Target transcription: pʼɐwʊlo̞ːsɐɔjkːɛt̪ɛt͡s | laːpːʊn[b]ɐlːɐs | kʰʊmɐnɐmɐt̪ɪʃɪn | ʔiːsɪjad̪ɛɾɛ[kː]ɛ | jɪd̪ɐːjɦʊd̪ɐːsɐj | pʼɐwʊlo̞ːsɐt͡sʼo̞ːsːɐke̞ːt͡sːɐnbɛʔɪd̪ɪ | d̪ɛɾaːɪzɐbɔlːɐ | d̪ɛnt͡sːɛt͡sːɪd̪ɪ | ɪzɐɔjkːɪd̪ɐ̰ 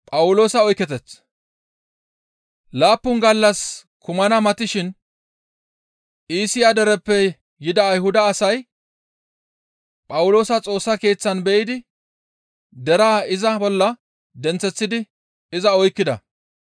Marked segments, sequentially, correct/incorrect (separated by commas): incorrect, incorrect